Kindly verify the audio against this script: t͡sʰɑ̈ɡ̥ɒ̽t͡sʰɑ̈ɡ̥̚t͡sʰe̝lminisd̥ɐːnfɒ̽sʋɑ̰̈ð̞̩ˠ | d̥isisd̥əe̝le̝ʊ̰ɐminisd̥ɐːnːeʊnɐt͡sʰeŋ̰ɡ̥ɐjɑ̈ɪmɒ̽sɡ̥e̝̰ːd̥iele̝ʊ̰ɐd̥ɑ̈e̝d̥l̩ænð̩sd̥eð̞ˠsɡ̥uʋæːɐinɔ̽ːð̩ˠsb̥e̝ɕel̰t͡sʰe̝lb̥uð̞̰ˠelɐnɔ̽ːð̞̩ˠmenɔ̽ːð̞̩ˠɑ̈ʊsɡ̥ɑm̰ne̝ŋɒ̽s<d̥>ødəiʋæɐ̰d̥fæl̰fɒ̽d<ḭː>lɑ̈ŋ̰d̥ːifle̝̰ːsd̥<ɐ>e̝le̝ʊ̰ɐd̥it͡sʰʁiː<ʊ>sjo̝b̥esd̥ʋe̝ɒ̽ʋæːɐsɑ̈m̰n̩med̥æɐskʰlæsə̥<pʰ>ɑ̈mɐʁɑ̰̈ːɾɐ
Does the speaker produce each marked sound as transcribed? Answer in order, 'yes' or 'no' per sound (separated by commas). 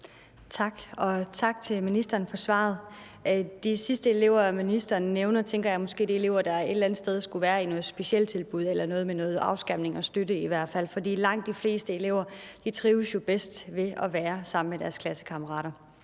yes, yes, no, yes, no